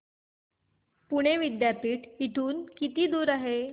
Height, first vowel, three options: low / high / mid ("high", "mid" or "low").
high